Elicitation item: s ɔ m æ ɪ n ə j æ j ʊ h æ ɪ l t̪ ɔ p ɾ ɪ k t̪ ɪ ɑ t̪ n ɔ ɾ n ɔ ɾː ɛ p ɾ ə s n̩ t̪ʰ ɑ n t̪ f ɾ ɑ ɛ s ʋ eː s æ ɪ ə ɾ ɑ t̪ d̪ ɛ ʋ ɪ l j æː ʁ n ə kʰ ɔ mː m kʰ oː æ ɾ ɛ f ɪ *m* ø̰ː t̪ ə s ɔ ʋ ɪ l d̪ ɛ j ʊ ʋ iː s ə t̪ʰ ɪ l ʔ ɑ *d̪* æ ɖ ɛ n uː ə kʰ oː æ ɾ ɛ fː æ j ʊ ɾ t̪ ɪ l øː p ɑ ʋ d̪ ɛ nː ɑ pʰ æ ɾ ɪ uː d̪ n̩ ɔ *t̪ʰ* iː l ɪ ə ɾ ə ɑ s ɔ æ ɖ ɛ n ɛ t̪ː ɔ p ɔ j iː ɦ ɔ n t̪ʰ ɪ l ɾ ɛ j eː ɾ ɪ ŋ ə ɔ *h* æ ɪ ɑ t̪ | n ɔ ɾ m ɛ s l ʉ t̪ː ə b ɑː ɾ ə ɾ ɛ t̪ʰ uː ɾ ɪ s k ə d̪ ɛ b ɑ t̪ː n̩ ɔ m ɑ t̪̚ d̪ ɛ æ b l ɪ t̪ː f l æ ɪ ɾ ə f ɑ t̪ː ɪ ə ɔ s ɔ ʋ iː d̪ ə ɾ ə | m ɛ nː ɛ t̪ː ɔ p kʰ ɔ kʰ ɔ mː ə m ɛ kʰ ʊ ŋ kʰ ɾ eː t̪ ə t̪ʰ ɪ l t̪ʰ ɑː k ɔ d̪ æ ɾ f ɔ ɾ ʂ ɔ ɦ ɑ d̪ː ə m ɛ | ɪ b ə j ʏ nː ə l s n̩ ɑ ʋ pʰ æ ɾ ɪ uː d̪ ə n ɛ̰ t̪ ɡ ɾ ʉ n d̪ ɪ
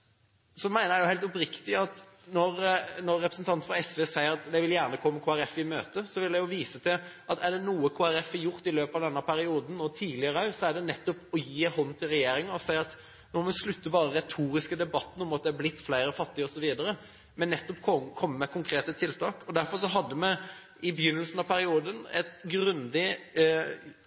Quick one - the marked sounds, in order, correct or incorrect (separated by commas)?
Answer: correct, incorrect, correct, incorrect